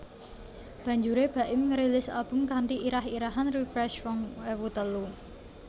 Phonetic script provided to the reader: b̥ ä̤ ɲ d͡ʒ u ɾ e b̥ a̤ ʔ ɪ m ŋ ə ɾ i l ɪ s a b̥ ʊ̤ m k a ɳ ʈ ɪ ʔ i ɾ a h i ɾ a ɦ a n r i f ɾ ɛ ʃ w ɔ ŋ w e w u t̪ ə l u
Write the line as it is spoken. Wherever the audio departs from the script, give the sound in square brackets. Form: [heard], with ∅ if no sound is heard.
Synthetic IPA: b̥ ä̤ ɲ d͡ʒ u ɾ e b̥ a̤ ʔ ɪ m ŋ ə ɾ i l ɪ s a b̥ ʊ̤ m k a ɳ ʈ [i] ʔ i ɾ a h i ɾ a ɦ a n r i f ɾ ɛ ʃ w ɔ ŋ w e w u t̪ ə l u